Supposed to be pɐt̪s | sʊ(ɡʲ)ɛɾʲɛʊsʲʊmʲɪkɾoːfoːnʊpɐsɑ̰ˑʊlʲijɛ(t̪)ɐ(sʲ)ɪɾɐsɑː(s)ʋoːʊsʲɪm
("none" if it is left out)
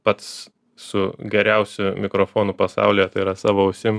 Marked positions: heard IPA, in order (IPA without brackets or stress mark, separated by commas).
ɡʲ, t̪, none, none